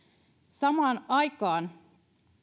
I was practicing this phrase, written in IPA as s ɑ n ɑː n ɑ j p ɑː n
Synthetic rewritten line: s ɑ m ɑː n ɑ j k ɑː n